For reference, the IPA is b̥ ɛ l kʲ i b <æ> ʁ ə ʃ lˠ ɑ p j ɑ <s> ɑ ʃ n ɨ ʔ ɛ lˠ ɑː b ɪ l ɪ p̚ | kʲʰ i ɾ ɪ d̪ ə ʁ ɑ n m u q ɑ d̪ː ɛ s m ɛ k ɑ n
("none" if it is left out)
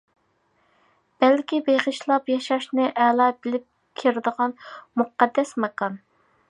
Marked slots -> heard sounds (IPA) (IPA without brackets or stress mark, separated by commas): e, ʃ